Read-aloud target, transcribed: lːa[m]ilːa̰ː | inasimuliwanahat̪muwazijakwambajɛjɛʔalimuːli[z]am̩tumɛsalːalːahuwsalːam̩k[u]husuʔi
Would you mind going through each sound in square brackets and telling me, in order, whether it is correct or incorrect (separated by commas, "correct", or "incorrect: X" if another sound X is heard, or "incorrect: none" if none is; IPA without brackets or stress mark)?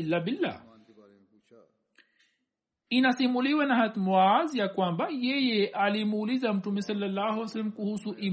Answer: incorrect: b, correct, correct